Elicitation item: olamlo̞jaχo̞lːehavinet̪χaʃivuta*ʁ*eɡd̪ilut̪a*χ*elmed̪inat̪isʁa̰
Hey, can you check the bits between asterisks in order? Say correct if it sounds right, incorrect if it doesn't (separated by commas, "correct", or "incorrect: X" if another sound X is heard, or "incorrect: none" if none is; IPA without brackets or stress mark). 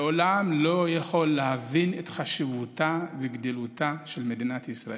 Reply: incorrect: v, incorrect: ʃ